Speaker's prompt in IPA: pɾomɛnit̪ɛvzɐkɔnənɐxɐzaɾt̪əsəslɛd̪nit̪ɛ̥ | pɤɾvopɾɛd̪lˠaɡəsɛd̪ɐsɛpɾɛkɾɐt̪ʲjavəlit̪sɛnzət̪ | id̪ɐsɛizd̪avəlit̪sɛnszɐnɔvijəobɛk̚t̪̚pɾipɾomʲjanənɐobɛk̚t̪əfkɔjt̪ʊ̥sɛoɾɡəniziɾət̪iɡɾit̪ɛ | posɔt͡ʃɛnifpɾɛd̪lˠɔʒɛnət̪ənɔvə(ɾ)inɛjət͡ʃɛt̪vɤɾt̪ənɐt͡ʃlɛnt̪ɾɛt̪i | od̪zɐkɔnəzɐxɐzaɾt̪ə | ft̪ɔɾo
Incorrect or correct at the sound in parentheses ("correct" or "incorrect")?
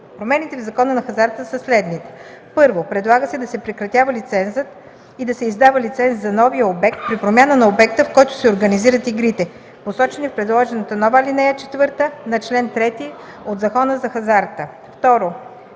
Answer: incorrect